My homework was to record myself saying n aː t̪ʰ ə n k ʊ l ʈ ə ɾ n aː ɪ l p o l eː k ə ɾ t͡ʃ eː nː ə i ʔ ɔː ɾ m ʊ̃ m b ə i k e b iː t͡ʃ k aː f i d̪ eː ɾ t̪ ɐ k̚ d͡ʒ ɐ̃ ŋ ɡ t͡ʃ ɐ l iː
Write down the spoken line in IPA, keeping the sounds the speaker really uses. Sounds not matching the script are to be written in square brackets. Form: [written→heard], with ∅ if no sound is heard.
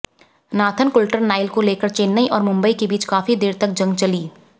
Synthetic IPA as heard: n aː t̪ʰ ə n k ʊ l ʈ ə ɾ n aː ɪ l [p→k] o l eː k ə ɾ t͡ʃ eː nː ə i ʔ ɔː ɾ m ʊ̃ m b ə i k e b iː t͡ʃ k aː f i d̪ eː ɾ t̪ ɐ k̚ d͡ʒ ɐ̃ ŋ ɡ t͡ʃ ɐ l iː